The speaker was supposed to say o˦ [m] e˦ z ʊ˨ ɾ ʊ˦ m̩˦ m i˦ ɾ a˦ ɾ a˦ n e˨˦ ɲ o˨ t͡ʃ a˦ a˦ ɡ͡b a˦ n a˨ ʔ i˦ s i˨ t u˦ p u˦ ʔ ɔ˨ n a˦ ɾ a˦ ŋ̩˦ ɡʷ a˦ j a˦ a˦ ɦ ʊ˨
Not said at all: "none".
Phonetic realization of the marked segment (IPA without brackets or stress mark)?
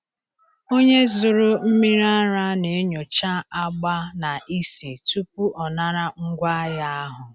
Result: ɲ